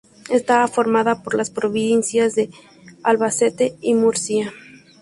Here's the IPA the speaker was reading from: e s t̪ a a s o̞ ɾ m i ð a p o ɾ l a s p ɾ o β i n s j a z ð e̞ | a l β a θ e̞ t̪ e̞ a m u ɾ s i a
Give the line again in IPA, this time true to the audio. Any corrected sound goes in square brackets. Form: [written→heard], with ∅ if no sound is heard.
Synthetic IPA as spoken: e s t̪ a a [s→f] o̞ ɾ m [i→a] ð a p o ɾ l a s p ɾ o β i n s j a z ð e̞ | a l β a [θ→s] e̞ t̪ e̞ [a→i] m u ɾ s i a

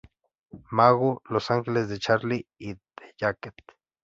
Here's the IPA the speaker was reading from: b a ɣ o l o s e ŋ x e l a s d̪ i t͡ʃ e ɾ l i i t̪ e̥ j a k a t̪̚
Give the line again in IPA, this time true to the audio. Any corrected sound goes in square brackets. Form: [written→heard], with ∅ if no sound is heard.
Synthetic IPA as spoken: [b→m] a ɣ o l o s [e→a] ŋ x e l [a→e] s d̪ [i→e] t͡ʃ [e→a] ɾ l i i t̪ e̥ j a k [a→e] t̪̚

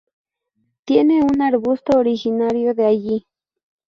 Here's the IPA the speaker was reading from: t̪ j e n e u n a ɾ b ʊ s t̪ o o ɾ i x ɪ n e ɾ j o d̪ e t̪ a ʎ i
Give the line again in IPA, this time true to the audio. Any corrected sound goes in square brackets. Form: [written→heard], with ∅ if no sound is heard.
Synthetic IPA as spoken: t̪ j e n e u n a ɾ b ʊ s t̪ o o ɾ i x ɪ n [e→a] ɾ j o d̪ e [t̪→∅] a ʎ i

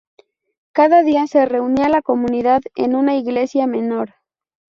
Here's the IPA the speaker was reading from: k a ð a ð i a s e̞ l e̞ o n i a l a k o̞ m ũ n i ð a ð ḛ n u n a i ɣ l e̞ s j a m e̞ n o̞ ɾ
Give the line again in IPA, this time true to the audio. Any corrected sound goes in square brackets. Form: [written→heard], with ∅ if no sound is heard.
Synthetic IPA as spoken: k a ð a ð i a s e̞ [l→r] e̞ [o→u] n i a l a k o̞ m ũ n i ð a ð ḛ n u n a i ɣ l e̞ s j a m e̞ n o̞ ɾ

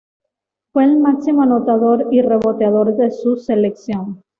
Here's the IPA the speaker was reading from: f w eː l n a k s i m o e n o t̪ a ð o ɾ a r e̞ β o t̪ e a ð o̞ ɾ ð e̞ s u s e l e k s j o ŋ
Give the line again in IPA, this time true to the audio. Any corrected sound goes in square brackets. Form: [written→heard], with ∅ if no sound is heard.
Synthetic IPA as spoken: f w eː l [n→m] a k s i m o [e→a] n o t̪ a ð o ɾ [a→i] r e̞ β o t̪ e a ð o̞ ɾ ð e̞ s u s e l e k s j o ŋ

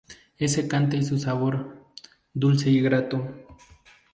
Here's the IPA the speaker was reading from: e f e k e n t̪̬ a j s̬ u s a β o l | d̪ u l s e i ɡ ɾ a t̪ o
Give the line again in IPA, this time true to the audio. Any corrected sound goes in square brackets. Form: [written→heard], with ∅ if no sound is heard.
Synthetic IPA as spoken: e [f→s] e k [e→a] n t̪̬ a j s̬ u s a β o [l→ɾ] | d̪ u l s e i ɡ ɾ a t̪ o

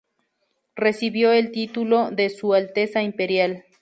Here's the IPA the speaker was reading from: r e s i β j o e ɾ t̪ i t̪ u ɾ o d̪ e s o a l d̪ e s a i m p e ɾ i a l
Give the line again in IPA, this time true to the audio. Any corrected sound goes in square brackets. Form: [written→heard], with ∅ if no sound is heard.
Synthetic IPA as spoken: r e s i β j o e [ɾ→l] t̪ i t̪ u [ɾ→l] o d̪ e s [o→u] a l [d̪→t̪] e s a i m p e ɾ [i→j] a l

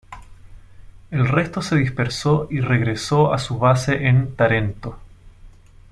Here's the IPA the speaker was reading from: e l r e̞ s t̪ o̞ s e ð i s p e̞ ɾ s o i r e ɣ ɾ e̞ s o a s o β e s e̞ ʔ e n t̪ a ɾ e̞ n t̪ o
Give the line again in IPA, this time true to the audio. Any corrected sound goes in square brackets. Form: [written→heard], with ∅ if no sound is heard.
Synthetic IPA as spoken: e l r e̞ s t̪ o̞ s e ð i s p e̞ ɾ s o i r e ɣ ɾ e̞ s o a s [o→u] β [e→a] s e̞ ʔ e n t̪ a ɾ e̞ n t̪ o

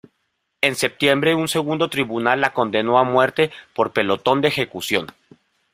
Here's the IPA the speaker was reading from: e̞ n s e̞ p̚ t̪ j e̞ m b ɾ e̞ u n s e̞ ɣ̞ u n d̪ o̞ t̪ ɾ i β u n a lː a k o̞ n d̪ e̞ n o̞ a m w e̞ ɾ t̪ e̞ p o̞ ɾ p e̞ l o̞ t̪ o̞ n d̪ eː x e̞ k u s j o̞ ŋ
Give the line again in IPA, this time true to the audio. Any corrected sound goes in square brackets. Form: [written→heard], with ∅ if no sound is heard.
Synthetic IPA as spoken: e̞ n s e̞ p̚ t̪ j e̞ m b ɾ e̞ u n s e̞ ɣ̞ u n d̪ o̞ t̪ ɾ i β u n a lː a k o̞ n d̪ e̞ n o̞ a m w e̞ ɾ t̪ e̞ p o̞ ɾ p e̞ l o̞ t̪ o̞ n d̪ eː x e̞ k u s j o̞ [ŋ→n]

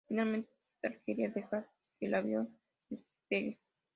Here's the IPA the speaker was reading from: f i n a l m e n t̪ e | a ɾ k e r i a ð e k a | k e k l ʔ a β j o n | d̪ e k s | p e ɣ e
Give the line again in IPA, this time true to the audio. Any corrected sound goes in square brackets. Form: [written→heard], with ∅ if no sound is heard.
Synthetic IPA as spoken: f i n a l m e n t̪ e | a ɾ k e [r→ɾ] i a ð e [k→x] a | k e [k→∅] l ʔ a β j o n | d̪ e [k→∅] s | p e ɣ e

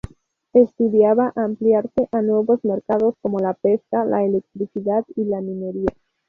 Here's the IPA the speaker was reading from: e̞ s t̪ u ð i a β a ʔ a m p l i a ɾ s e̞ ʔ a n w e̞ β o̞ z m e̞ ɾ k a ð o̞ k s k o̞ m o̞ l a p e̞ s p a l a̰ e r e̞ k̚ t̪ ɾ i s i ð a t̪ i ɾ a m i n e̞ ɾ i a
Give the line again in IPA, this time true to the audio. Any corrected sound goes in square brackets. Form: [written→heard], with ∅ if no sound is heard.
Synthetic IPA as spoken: e̞ s t̪ u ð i a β a ʔ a m p l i a ɾ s e̞ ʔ a n w e̞ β o̞ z m e̞ ɾ k a ð o̞ [k→∅] s k o̞ m o̞ l a p e̞ s [p→k] a l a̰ e [r→l] e̞ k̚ t̪ ɾ i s i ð a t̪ i [ɾ→l] a m i n e̞ ɾ i a

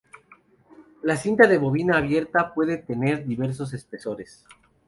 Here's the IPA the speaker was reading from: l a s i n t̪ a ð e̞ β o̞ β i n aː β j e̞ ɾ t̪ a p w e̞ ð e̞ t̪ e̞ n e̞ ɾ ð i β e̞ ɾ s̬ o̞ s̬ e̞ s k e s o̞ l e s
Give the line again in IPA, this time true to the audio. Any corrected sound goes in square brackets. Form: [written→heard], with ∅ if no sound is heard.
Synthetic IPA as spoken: l a s i n t̪ a ð e̞ β o̞ β i n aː β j e̞ ɾ t̪ a p w e̞ ð e̞ t̪ e̞ n e̞ ɾ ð i β e̞ ɾ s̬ o̞ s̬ e̞ s [k→p] e s o̞ [l→ɾ] e s

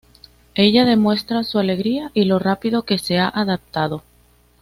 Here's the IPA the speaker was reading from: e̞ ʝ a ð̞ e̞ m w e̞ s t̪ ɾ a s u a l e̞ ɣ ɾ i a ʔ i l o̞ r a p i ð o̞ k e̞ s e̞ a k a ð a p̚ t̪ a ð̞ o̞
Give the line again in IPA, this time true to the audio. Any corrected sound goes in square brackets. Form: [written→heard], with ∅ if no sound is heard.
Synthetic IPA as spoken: e̞ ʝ a ð̞ e̞ m w e̞ s t̪ ɾ a s u a l e̞ ɣ ɾ i a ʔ i l o̞ r a p i ð o̞ k e̞ s e̞ a [k→ʔ] a ð a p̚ t̪ a ð̞ o̞

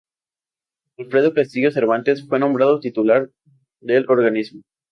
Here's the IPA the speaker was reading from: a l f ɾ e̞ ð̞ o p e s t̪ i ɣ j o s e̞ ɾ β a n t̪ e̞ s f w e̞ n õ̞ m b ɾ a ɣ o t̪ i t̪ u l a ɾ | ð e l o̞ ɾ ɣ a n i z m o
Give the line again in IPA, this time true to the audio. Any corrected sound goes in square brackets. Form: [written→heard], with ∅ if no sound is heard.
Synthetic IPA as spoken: a l f ɾ e̞ ð̞ o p e s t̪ i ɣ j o s e̞ ɾ β a n t̪ e̞ s f w e̞ n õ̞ m b ɾ a [ɣ→ð] o t̪ i t̪ u l a ɾ | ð e l o̞ ɾ ɣ a n i z m o

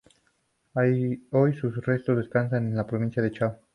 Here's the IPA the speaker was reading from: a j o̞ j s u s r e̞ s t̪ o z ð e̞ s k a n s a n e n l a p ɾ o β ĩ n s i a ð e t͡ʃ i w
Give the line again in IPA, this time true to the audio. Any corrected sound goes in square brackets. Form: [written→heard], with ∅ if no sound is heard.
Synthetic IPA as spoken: a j o̞ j s u s r e̞ s t̪ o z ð e̞ s k a n s a n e n l a p ɾ o β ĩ n s [i→j] a ð e t͡ʃ [i→a] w

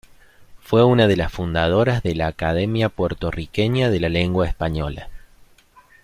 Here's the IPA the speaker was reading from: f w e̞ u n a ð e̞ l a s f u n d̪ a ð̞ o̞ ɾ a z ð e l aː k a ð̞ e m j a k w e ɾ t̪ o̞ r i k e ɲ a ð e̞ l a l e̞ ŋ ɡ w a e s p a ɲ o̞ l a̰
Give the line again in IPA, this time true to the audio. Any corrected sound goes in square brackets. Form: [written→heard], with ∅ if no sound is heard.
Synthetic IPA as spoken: f w e̞ u n a ð e̞ l a s f u n d̪ a ð̞ o̞ ɾ a z ð e l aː k a ð̞ e m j a [k→p] w e ɾ t̪ o̞ r i k e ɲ a ð e̞ l a l e̞ ŋ ɡ w a e s p a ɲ o̞ l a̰

